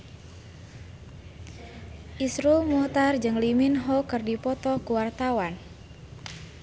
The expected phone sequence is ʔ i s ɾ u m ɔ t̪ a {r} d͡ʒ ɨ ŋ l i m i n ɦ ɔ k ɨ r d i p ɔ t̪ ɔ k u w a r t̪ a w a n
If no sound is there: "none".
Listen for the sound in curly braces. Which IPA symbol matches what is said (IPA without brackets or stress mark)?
r